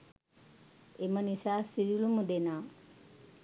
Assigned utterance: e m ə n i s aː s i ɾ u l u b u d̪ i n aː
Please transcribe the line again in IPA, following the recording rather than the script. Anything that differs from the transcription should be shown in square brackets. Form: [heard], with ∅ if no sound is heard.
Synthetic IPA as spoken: e m ə n i s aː s i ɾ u l u [m] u d̪ [e] n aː